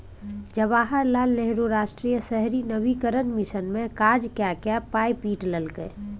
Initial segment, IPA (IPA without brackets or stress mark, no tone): d͡ʒ